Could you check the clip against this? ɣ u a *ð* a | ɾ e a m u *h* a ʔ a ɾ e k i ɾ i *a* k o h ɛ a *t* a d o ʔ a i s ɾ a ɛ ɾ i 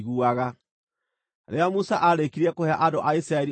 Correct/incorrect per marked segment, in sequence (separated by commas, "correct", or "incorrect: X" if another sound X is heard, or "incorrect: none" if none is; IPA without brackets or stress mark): incorrect: ɣ, incorrect: s, incorrect: ɛ, incorrect: ʔ